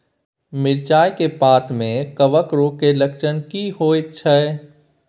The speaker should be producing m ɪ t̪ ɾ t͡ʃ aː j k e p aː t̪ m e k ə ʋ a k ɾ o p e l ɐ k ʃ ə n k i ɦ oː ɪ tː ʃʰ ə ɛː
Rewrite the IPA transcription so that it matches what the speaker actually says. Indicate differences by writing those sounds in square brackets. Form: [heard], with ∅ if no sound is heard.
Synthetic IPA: m ɪ [∅] ɾ t͡ʃ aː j k e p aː t̪ m [ẽ] k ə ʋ [ə] k ɾ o [k] e l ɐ k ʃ ə n k i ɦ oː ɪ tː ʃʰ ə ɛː